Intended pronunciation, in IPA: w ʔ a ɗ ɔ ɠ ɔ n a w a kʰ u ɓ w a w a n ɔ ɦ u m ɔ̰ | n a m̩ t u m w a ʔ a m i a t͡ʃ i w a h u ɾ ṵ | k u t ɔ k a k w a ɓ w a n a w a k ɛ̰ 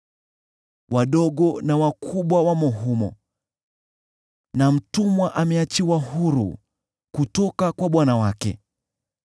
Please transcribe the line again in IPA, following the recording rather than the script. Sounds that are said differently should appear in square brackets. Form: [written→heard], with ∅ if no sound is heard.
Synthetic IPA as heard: w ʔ a ɗ ɔ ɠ ɔ n a w a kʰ u ɓ w a w a [n→m] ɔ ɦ u m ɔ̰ | n a m̩ t u m w a ʔ a m [i→ɛ] a t͡ʃ i w a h u ɾ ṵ | k u t ɔ k a k w a ɓ w a n a w a k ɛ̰